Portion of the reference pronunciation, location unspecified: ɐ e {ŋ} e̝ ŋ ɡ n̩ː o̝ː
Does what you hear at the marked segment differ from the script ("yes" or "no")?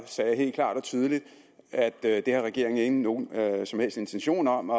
no